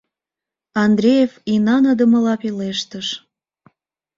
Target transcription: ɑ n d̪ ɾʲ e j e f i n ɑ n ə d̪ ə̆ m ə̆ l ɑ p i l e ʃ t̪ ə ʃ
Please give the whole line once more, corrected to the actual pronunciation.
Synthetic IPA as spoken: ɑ n d̪ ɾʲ e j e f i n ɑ n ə d̪ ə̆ m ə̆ l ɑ p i l e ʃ t̪ ə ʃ